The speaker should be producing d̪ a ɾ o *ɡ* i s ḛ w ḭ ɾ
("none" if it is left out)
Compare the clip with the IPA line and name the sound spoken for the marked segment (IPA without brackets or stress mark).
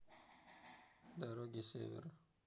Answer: ɡ